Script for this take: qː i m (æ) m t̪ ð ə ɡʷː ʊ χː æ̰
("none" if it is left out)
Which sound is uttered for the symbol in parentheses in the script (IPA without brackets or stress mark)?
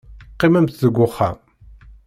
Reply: æ